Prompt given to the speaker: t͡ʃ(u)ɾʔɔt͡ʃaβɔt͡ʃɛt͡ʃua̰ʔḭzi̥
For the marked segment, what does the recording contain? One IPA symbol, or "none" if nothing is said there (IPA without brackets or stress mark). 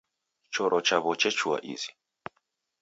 ɔ